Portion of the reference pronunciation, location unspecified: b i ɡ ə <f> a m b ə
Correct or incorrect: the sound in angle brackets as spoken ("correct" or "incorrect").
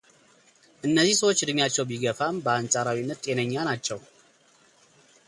correct